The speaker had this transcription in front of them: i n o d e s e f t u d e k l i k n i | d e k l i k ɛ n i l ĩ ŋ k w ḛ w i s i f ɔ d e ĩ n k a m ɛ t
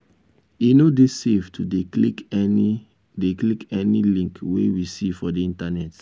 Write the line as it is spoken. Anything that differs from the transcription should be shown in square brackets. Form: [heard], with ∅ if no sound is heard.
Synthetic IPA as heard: i n o d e s e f t u d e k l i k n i | d e k l i k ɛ n i l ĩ ŋ k w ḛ w i s i f ɔ d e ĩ n [t] a [n] ɛ t